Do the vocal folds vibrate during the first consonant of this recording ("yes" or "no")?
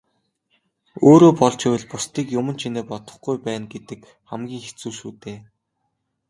yes